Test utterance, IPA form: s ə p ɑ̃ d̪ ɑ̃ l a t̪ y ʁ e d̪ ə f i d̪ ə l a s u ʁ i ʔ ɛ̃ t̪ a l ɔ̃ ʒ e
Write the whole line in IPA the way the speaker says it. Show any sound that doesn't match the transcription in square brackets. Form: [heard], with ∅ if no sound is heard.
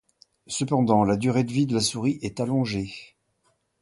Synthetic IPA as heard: s ə p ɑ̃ d̪ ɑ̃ l a [d̪] y ʁ e d̪ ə [v] i d̪ ə l a s u ʁ i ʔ [ɛ] t̪ a l ɔ̃ ʒ e